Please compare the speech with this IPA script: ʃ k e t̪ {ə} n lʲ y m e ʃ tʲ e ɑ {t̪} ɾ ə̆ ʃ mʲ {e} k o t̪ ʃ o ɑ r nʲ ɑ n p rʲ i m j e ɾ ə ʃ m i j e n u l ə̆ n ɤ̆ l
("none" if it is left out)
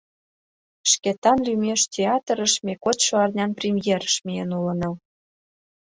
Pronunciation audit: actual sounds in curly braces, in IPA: ɑ, t̪, e

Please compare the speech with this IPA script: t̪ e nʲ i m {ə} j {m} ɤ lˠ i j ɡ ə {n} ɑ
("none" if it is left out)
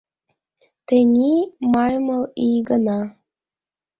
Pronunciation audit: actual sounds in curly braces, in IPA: ɑ, m, n

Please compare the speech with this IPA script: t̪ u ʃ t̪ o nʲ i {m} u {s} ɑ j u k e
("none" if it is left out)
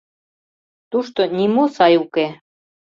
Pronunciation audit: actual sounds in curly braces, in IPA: m, s

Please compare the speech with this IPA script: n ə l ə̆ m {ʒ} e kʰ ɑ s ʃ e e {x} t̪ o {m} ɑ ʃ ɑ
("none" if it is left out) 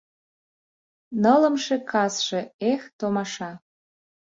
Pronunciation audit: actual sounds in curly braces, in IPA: ʃ, x, m

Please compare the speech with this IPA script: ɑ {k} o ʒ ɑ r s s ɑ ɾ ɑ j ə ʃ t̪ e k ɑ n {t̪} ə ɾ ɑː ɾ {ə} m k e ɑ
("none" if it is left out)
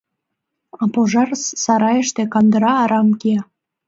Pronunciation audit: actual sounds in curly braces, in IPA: p, d̪, ɑ

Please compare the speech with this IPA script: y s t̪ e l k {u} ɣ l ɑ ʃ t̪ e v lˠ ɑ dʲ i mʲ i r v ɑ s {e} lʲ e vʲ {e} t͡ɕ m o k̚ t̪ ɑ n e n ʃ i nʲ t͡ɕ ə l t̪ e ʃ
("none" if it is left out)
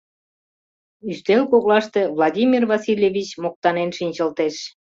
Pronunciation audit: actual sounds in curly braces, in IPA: o, i, i

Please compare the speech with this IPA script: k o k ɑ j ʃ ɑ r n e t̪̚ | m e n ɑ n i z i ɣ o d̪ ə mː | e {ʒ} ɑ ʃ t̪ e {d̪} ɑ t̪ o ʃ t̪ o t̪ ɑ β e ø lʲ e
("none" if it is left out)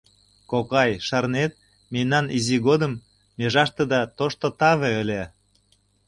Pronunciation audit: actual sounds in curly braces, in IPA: ʒ, d̪

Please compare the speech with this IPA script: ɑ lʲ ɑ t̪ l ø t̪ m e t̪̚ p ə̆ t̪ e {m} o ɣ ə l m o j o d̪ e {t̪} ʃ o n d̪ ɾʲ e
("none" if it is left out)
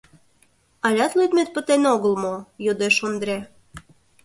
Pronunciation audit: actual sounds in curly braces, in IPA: n, none

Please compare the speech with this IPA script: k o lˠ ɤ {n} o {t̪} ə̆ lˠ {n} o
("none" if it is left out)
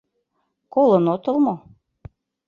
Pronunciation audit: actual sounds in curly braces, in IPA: n, t̪, m

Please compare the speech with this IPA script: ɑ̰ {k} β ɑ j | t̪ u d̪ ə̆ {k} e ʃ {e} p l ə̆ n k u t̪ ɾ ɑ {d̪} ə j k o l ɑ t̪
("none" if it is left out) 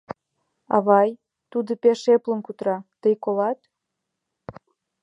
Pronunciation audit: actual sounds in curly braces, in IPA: none, p, e, t̪

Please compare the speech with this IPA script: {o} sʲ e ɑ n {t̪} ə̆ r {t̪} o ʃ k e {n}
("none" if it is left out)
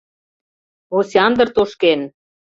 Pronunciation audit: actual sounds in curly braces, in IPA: o, d̪, t̪, n

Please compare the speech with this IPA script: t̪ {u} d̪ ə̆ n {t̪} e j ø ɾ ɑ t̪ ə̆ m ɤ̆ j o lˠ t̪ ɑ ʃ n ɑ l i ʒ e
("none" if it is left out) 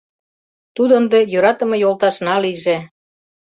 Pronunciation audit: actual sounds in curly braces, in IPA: u, d̪

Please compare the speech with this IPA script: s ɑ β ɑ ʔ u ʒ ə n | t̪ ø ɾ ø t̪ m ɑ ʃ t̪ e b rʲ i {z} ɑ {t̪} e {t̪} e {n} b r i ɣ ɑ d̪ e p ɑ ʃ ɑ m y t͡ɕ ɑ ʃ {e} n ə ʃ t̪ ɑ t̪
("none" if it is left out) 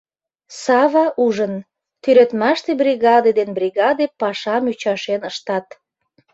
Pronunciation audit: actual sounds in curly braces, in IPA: ɣ, d̪, d̪, n, e

